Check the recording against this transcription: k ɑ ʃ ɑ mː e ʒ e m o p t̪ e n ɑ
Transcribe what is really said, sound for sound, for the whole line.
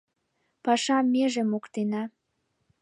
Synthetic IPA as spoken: p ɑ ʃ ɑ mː e ʒ e m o k t̪ e n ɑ